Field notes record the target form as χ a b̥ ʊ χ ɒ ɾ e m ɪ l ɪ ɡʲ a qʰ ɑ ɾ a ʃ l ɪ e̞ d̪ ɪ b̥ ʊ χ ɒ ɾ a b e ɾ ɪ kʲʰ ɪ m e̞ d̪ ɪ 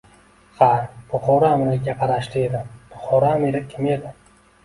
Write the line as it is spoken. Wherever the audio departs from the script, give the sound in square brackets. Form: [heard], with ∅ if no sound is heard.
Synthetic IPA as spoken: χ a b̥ ʊ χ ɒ ɾ [a] m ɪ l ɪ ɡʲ a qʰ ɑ ɾ a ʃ l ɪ e̞ d̪ ɪ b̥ ʊ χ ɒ ɾ a [m] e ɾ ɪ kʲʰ ɪ m e̞ d̪ ɪ